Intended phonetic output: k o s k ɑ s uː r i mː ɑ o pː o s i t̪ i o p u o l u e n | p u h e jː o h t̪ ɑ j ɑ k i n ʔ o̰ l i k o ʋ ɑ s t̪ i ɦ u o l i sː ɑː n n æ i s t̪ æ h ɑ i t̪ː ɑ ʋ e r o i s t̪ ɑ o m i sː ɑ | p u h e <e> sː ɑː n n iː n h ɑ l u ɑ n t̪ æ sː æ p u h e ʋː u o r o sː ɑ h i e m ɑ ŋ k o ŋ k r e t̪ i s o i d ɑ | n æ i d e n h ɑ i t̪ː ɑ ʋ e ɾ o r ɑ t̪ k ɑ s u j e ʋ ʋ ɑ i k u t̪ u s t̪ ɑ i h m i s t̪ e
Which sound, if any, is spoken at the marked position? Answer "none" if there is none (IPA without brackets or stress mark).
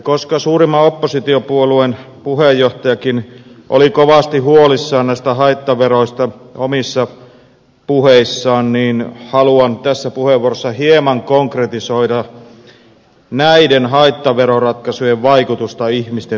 i